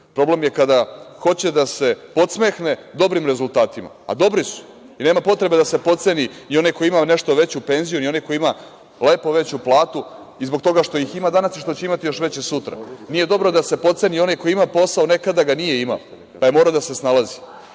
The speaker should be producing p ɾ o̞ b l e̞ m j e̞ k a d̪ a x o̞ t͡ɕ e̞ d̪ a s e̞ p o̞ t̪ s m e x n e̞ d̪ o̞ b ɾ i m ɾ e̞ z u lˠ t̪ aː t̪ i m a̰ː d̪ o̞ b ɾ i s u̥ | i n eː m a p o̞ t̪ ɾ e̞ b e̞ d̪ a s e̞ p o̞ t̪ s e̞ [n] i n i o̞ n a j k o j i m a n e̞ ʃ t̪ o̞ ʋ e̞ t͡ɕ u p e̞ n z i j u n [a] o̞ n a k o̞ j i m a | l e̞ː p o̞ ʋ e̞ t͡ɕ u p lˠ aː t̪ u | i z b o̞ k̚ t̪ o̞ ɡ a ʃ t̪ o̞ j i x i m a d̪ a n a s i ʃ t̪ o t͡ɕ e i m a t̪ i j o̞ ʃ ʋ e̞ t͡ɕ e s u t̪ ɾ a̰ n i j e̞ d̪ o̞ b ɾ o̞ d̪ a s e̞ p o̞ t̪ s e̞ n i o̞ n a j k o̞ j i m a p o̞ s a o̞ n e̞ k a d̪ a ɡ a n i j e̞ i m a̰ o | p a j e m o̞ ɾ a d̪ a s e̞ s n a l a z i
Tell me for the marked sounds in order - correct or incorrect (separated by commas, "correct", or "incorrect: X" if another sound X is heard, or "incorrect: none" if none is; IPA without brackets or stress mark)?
correct, incorrect: i